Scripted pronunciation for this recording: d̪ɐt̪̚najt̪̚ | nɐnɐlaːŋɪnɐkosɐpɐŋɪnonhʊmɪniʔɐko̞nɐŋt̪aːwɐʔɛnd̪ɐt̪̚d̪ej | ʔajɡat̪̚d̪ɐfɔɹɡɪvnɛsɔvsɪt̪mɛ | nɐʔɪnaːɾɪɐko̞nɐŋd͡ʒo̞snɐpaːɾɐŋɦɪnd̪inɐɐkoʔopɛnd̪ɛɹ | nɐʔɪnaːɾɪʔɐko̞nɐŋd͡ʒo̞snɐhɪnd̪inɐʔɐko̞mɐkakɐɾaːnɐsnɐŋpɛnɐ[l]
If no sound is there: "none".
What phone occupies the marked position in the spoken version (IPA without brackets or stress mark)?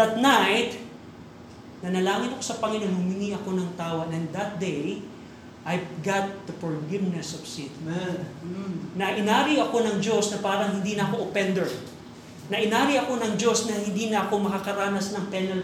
l